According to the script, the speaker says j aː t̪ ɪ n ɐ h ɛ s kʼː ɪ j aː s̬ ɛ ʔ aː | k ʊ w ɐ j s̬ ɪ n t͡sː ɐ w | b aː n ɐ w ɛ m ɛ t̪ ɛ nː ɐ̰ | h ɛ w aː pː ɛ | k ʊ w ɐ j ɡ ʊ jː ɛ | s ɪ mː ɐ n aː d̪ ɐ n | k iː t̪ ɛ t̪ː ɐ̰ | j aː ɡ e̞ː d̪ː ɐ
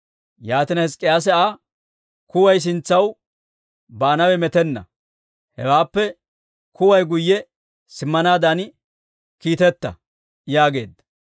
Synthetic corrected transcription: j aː t̪ ɪ n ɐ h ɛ s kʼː ɪ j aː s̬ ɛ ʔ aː | k ʊ w ɐ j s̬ ɪ n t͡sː ɐ w | b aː n ɐ w ɛ m ɛ t̪ ɛ nː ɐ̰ | h ɛ w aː pː ɛ | k ʊ w ɐ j ɡ ʊ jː ɛ | s ɪ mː ɐ n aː d̪ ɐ n | k iː t̪ ɛ t̪ː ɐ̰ | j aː ɡ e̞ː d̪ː ɐ